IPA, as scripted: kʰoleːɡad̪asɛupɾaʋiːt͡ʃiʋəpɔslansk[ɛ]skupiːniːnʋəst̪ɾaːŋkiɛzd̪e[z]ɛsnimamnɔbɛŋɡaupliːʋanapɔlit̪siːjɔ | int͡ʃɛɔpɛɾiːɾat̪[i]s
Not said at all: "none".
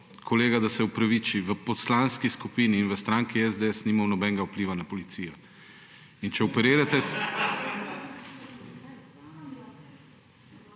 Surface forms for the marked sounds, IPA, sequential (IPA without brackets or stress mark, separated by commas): i, none, ɛ